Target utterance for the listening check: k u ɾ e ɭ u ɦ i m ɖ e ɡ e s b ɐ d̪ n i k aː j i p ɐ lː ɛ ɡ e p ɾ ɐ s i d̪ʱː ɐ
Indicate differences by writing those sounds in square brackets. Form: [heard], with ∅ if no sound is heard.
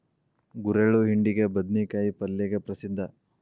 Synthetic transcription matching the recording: [ɡ] u ɾ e ɭ u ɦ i [ɳ] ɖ [i] ɡ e [∅] b ɐ d̪ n i k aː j i p ɐ lː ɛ ɡ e p ɾ ɐ s i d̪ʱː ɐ